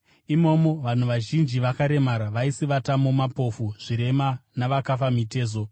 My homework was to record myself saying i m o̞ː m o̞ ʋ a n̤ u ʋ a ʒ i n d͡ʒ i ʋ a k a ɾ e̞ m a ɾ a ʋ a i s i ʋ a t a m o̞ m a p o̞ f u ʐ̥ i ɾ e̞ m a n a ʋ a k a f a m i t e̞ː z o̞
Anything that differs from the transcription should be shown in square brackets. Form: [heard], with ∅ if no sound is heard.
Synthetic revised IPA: i m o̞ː m o̞ ʋ a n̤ u ʋ a ʒ i n d͡ʒ i ʋ a k a ɾ e̞ m a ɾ a ʋ a i s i ʋ a t a m o̞ m a p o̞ f u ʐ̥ i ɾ e̞ m a n a ʋ a k a f a m i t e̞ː z o̞